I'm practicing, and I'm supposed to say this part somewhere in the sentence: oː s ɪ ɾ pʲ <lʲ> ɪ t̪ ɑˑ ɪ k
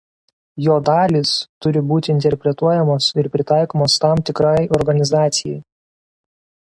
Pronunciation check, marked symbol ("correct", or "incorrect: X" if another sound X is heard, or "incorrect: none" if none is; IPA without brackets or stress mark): incorrect: ɾʲ